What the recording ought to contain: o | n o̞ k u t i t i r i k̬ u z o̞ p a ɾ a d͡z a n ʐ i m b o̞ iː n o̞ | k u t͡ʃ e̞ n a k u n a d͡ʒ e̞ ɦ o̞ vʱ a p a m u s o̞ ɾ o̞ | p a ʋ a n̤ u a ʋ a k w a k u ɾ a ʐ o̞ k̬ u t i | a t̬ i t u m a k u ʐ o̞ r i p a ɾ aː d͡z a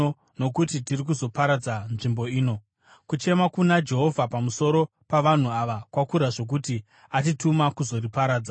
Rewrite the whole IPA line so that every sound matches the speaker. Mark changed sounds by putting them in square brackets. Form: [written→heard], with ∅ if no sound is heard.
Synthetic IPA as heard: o | n o̞ k u t i t i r i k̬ u z o̞ p a ɾ a d͡z a n ʐ i m b o̞ iː n o̞ | k u t͡ʃ e̞ [n→m] a k u n a d͡ʒ e̞ ɦ o̞ vʱ a p a m u s o̞ ɾ o̞ | p a ʋ a n̤ u a ʋ a k w a k u ɾ a ʐ o̞ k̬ u t i | a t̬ i t u m a k u [ʐ→z] o̞ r i p a ɾ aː d͡z a

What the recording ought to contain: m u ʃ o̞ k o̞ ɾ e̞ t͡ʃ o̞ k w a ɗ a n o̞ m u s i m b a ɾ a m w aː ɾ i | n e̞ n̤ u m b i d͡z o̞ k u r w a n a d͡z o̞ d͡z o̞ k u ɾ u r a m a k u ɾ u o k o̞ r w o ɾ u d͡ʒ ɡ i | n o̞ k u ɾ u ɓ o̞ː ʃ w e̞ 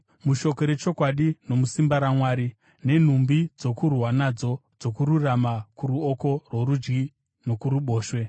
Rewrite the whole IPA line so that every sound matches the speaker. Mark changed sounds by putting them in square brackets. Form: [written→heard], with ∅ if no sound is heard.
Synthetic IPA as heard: m u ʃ o̞ k o̞ ɾ e̞ t͡ʃ o̞ k w a ɗ [a→i] n o̞ m u s i m b a ɾ a m w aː ɾ i | n e̞ n̤ u m b i d͡z o̞ k u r w a n a d͡z o̞ d͡z o̞ k u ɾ u r a m a k u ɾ u o k o̞ r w o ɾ u d͡ʒ ɡ i | n o̞ k u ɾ u ɓ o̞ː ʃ w e̞

